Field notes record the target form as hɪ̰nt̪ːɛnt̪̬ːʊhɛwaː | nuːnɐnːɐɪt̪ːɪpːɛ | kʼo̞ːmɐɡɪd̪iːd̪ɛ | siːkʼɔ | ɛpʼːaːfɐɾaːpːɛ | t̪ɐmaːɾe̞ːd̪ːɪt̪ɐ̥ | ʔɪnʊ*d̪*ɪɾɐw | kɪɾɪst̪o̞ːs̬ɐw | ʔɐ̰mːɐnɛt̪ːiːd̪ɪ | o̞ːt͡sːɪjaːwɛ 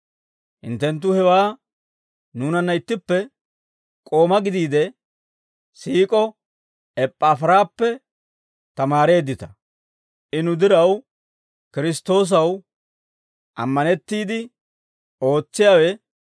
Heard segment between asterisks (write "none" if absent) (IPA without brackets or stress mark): d̪